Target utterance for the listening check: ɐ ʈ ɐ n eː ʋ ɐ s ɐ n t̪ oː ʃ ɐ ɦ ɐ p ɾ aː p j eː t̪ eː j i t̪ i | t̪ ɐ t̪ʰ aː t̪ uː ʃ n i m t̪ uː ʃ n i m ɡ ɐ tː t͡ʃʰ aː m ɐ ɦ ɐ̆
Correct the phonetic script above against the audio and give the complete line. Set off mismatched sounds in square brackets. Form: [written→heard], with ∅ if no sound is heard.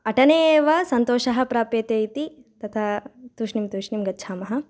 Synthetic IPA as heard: ɐ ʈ ɐ n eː ʋ ɐ s ɐ n t̪ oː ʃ ɐ ɦ ɐ p ɾ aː p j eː t̪ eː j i t̪ i | t̪ ɐ t̪ʰ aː t̪ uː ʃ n i m t̪ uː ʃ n i m ɡ ɐ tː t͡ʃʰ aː m ɐ ɦ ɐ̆